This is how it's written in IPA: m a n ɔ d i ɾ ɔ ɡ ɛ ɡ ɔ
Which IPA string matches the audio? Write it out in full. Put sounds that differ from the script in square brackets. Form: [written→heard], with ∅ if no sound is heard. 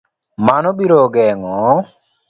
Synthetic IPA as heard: m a n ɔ [d→b] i ɾ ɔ ɡ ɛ [ɡ→ŋ] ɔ